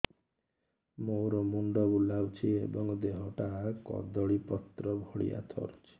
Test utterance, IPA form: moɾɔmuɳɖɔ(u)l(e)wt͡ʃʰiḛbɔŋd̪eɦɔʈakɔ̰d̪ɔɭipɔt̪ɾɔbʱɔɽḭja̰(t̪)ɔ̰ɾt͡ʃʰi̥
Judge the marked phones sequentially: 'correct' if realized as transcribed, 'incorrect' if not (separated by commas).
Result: correct, incorrect, incorrect